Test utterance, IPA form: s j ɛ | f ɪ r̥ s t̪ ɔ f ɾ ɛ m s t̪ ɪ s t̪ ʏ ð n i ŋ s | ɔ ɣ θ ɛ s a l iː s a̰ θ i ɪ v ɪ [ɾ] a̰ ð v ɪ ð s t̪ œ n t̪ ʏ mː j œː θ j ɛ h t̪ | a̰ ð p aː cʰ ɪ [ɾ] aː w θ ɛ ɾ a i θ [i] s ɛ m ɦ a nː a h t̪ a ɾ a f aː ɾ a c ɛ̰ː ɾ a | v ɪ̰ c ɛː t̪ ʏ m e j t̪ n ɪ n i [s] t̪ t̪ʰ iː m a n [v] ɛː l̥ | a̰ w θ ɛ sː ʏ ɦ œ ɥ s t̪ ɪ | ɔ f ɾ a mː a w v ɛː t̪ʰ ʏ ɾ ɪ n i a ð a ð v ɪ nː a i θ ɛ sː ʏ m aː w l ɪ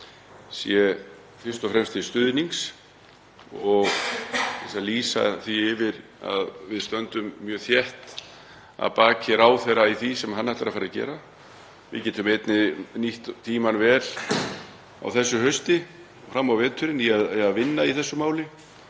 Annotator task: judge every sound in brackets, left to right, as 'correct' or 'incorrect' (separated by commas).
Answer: correct, correct, correct, incorrect, correct